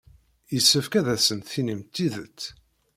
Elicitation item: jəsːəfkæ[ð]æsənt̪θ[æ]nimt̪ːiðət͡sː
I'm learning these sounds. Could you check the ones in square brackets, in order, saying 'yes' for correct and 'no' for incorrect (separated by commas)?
yes, no